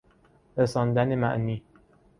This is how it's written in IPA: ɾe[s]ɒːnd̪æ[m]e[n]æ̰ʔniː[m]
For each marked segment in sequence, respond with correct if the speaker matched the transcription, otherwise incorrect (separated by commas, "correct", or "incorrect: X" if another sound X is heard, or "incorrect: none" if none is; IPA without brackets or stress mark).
correct, incorrect: n, incorrect: m, incorrect: none